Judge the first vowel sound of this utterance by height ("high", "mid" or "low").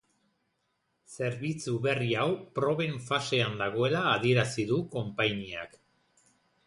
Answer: mid